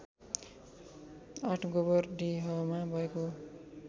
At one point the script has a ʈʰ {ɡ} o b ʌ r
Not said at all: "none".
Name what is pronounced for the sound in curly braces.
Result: ɡ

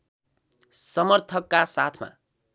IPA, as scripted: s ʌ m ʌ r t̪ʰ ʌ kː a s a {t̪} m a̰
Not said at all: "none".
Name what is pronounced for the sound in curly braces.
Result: t̪ʰ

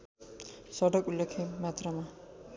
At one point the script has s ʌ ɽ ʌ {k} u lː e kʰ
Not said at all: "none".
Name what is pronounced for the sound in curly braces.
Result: k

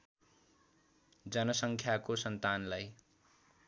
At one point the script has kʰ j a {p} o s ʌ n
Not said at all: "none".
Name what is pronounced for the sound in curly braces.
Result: k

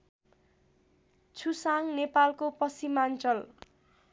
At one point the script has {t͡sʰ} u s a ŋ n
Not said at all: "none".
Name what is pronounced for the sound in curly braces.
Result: t͡sʰ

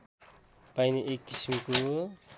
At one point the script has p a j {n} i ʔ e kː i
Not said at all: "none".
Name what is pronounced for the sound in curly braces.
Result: n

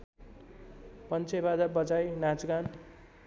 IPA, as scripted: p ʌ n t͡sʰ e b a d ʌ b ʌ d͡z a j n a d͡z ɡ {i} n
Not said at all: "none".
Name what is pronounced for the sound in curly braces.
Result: a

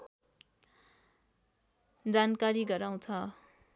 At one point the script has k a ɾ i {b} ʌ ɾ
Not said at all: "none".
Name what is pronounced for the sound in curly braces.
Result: ɡ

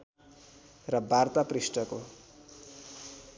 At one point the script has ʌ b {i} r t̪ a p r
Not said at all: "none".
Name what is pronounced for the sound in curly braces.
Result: a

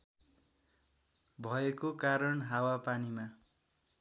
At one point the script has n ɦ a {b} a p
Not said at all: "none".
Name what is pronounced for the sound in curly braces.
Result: w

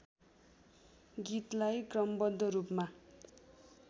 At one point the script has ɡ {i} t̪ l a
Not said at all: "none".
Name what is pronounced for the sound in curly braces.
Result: i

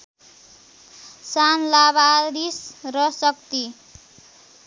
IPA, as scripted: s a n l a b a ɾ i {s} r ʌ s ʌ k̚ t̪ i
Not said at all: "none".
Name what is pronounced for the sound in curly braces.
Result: s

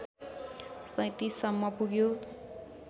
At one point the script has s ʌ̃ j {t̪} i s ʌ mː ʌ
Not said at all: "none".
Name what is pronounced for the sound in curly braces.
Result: t̪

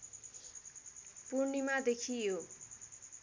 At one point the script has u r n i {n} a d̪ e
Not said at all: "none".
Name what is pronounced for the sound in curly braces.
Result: m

